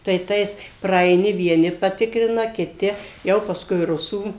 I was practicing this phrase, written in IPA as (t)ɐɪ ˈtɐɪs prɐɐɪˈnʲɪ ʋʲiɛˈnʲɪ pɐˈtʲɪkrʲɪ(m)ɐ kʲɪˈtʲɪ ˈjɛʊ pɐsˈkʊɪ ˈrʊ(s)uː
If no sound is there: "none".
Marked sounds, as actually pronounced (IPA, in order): t, n, s

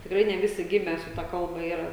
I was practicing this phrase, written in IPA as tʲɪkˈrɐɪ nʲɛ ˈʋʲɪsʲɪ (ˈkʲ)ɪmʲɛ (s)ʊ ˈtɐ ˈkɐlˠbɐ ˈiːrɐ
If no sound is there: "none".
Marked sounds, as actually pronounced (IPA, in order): ɡʲ, s

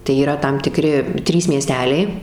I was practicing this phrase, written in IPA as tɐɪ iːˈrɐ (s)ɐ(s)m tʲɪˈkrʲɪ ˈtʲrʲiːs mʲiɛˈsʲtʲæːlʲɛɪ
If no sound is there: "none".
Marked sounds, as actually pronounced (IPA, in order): t, none

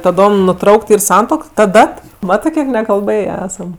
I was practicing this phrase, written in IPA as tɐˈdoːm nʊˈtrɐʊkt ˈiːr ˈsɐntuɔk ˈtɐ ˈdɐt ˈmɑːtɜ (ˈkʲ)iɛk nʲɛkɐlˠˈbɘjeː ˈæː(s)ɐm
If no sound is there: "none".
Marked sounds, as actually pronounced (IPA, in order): kʲ, s

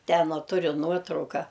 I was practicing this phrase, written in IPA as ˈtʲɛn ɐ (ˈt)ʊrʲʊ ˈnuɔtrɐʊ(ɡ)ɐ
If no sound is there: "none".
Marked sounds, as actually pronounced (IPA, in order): t, k

